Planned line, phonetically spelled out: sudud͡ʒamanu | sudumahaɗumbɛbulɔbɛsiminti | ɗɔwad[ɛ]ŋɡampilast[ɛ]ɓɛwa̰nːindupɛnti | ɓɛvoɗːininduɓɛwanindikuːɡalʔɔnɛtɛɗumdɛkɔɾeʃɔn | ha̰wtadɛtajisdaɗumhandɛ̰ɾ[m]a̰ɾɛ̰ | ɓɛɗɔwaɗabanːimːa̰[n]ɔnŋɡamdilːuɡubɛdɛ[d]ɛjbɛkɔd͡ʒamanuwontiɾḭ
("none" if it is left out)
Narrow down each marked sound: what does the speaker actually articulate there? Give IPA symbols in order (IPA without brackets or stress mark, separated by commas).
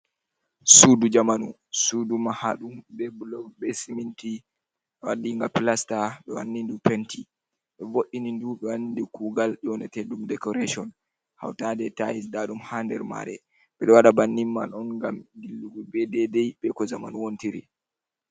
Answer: i, a, m, n, d